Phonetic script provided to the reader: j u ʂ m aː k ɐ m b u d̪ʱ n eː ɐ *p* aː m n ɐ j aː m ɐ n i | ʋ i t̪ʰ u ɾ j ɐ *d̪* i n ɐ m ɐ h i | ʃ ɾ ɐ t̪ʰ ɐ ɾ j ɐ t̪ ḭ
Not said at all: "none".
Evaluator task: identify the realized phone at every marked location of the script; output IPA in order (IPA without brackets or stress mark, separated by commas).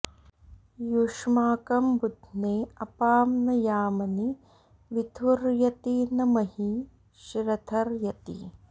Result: p, t̪